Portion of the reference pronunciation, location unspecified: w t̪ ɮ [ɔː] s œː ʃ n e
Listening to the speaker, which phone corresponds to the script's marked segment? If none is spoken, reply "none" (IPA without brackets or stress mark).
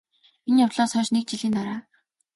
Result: ɔː